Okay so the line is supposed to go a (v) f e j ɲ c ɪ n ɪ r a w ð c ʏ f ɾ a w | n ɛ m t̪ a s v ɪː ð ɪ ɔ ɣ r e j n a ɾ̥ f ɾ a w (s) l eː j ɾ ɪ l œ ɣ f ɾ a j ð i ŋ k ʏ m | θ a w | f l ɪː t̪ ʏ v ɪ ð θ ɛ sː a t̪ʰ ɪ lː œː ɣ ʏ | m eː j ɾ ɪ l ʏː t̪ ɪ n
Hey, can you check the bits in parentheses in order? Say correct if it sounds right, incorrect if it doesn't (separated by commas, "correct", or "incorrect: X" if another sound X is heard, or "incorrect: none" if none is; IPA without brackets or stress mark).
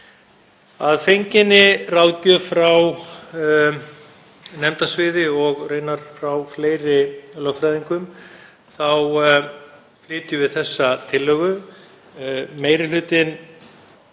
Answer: incorrect: ð, incorrect: f